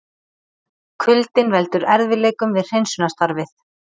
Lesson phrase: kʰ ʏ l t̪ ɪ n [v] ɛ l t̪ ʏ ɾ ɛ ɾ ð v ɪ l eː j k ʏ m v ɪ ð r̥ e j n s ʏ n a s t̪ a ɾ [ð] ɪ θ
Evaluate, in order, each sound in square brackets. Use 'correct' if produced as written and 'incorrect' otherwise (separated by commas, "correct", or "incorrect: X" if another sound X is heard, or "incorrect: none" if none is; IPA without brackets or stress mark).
correct, incorrect: v